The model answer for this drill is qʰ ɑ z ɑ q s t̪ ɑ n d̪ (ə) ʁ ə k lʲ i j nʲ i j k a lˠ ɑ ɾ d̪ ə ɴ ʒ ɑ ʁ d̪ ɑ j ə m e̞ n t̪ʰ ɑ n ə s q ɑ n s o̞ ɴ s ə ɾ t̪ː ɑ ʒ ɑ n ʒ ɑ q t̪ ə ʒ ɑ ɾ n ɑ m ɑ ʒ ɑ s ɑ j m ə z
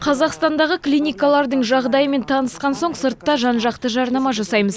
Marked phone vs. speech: incorrect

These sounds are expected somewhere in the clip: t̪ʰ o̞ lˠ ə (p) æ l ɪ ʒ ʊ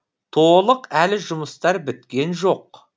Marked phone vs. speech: incorrect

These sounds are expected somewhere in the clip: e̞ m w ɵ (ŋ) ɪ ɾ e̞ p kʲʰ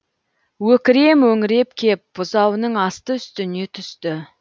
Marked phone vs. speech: correct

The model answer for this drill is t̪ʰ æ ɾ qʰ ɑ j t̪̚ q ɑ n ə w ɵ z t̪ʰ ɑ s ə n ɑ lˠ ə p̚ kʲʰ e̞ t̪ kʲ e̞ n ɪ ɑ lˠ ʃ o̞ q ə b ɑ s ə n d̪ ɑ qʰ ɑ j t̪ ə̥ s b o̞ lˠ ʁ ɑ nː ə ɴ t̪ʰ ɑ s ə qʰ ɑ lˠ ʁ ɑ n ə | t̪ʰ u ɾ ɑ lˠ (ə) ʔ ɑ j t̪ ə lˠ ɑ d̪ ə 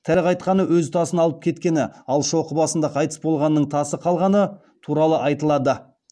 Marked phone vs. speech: correct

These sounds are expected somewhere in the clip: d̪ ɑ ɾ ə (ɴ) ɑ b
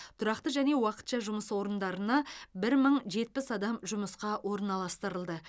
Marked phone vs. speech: incorrect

